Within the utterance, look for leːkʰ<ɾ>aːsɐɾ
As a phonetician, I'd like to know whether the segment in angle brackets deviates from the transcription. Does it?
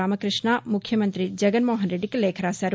no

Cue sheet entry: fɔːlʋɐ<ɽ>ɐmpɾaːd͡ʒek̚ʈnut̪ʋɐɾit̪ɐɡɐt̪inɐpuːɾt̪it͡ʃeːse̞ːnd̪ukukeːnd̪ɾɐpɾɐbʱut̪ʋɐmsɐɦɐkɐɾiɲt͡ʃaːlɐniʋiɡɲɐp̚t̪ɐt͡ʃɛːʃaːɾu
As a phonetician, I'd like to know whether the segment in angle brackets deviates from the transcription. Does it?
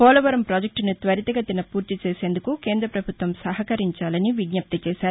yes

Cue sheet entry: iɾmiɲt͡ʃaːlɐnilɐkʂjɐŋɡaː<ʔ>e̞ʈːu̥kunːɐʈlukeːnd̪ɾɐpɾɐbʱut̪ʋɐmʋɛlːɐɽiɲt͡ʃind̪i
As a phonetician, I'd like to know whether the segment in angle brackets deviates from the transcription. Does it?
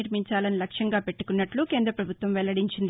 yes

